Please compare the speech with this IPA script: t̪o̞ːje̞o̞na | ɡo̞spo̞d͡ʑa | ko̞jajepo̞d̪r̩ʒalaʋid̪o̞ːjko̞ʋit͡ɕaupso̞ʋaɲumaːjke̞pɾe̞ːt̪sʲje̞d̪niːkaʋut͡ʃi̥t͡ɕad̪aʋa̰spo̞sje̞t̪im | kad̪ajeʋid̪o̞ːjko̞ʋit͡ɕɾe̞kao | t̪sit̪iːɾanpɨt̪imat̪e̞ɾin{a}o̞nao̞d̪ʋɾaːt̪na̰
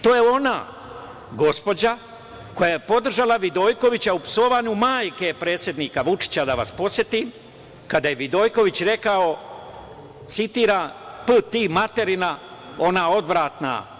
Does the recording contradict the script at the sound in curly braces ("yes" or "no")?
no